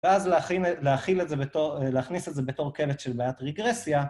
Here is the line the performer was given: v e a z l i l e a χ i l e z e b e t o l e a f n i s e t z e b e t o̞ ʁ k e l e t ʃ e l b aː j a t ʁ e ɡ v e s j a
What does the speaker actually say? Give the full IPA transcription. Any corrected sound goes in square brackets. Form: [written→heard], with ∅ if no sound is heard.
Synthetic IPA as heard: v e a z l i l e a χ i l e z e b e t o l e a [f→χ] n i s e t z e b e t o̞ ʁ k e l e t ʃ e l b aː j a t ʁ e ɡ [v→ʁ] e s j a